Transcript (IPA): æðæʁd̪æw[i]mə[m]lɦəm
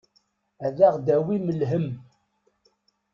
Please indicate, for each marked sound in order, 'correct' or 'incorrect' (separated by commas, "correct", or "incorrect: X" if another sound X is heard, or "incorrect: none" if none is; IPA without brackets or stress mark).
correct, incorrect: none